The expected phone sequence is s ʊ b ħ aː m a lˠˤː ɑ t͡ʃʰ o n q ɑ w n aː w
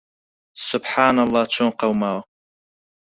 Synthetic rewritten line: s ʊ b ħ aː n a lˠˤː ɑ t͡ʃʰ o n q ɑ w m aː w